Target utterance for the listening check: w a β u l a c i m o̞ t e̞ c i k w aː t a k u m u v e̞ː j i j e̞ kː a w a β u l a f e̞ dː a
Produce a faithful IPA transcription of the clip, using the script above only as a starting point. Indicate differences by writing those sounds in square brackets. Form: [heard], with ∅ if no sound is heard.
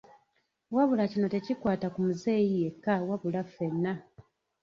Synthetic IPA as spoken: w a β u l a c i [n] o̞ t e̞ c i k w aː t a k u m u [z] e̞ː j i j e̞ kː a w a β u l a f e̞ [nː] a